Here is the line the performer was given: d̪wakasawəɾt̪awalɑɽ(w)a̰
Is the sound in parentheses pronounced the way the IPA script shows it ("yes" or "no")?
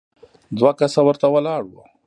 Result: yes